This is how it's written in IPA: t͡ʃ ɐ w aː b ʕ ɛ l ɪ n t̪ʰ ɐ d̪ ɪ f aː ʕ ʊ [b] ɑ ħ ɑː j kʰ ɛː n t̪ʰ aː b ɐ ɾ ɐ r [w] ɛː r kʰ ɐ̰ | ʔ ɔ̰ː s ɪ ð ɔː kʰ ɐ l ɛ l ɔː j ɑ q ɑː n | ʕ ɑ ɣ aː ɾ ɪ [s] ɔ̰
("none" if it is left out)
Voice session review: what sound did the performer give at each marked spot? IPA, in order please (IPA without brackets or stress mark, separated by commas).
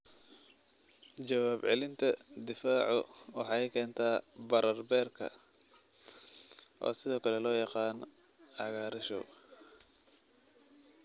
w, b, ʃ